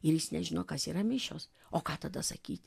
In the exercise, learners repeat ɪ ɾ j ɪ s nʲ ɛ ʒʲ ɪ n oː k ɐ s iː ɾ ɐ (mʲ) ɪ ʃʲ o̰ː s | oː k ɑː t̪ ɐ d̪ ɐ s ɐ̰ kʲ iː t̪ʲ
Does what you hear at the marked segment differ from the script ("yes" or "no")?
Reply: no